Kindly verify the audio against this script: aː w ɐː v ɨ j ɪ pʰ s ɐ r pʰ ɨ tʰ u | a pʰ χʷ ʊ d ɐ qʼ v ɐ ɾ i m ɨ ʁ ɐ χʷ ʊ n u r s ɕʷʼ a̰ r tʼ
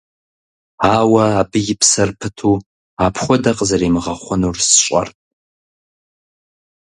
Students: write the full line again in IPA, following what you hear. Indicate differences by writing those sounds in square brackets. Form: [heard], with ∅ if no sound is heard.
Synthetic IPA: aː w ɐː [b] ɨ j ɪ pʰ s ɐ r pʰ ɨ tʰ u | a pʰ χʷ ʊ d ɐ qʼ [z] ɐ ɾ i m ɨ ʁ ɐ χʷ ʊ n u r s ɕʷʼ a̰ r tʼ